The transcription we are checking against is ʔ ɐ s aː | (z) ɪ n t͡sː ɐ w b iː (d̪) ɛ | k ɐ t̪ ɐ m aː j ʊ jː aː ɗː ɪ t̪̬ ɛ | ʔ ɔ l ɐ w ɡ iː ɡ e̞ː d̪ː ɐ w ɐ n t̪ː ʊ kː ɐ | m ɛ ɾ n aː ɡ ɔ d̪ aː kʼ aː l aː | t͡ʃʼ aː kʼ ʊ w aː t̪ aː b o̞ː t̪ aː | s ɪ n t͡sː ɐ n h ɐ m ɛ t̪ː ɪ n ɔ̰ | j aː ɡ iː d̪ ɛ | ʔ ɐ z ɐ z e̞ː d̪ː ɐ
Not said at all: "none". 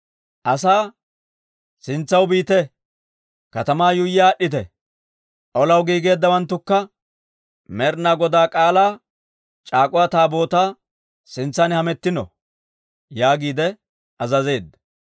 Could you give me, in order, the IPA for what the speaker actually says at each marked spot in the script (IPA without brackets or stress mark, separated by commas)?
s, t̪